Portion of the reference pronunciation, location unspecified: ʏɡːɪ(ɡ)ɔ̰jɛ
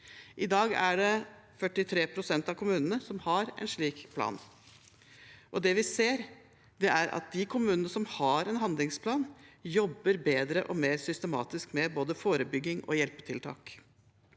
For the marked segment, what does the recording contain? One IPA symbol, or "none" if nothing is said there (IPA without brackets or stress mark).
ŋ